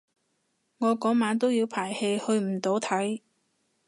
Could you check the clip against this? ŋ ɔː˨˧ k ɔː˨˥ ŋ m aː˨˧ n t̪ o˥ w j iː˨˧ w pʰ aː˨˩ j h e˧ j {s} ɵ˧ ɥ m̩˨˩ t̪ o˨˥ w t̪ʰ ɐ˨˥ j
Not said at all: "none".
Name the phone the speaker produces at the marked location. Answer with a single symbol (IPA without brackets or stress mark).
h